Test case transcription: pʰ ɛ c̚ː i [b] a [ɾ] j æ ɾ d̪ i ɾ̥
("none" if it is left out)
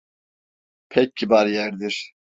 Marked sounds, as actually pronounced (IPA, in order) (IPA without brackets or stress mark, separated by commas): b, ɾ